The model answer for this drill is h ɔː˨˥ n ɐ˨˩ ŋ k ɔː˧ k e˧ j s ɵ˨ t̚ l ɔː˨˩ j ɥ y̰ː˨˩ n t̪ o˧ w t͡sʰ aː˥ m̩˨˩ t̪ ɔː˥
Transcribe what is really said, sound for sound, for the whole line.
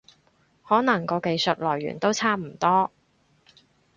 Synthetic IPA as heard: h ɔː˨˥ n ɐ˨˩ ŋ k ɔː˧ k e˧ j s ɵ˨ t̚ l ɔː˨˩ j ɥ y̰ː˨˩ n t̪ o˥ w t͡sʰ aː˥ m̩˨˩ t̪ ɔː˥